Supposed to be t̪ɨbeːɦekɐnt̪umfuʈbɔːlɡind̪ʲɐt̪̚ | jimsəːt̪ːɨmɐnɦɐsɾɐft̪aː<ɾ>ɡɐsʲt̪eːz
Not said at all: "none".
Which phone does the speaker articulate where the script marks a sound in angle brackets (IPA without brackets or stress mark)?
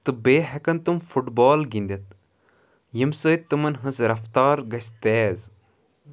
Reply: ɾ